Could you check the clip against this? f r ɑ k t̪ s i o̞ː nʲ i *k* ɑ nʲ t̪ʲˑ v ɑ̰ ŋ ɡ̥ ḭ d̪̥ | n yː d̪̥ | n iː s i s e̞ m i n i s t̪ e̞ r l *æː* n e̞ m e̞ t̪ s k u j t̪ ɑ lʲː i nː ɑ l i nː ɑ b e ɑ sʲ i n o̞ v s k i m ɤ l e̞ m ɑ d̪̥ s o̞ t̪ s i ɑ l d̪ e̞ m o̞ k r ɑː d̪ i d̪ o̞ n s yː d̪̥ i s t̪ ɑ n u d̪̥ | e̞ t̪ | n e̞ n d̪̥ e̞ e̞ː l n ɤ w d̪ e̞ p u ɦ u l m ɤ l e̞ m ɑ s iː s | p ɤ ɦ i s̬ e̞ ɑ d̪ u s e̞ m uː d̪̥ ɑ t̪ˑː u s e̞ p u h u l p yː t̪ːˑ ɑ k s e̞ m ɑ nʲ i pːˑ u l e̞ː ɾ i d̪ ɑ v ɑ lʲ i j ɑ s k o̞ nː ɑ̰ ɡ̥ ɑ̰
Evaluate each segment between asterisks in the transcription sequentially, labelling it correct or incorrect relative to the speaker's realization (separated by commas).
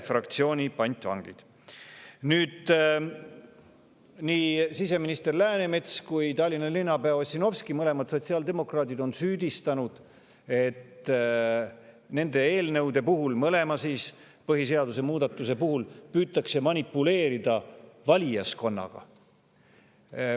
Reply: incorrect, correct